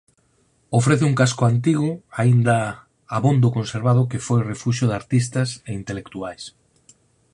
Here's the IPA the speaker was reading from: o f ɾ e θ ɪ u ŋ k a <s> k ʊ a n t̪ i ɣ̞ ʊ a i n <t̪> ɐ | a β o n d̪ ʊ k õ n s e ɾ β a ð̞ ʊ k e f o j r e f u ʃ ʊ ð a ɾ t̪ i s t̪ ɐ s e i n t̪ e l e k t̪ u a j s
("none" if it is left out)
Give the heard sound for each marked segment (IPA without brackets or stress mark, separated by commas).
s, d̪